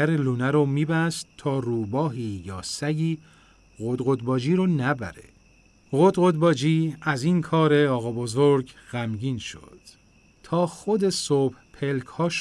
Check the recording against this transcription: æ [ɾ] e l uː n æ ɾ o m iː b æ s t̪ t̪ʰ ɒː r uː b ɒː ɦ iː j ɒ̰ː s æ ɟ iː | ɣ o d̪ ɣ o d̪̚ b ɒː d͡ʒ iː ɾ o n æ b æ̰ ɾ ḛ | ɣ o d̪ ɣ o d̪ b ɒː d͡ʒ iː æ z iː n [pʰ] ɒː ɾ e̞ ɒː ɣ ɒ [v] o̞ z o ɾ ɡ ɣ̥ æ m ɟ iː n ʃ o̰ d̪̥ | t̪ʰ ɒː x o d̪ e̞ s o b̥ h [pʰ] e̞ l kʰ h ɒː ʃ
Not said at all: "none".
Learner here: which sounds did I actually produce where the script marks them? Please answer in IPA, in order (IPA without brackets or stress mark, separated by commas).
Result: ɾ, kʰ, b, pʰ